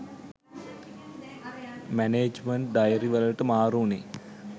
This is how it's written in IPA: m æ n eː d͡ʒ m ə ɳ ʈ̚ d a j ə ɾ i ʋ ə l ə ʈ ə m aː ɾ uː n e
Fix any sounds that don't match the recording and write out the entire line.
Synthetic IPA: m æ n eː d͡ʒ m ə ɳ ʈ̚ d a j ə ɾ i ʋ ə l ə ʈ ə m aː ɾ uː n e